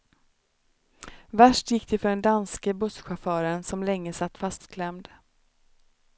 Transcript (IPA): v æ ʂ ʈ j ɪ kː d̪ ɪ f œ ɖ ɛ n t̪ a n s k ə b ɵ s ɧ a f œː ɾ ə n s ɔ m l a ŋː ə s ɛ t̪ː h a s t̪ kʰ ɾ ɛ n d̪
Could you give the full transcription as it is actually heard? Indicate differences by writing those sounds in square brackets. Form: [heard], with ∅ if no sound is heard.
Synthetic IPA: v æ ʂ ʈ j ɪ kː d̪ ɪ f œ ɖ ɛ n [d̪] a n s k ə b ɵ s ɧ a f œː ɾ ə n s ɔ m l [ɛ] ŋː ə s [a] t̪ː [f] a s t̪ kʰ [l] ɛ [m] d̪